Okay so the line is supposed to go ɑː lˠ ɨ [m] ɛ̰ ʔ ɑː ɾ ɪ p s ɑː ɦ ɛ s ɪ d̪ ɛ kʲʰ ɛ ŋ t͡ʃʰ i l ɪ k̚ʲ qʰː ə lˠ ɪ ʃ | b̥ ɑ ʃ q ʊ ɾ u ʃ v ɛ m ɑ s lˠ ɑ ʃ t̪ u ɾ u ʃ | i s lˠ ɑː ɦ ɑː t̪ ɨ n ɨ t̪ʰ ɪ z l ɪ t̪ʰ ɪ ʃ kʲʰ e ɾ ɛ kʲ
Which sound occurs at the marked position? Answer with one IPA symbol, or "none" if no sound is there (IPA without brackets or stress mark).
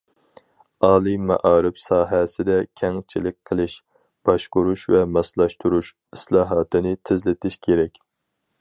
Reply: m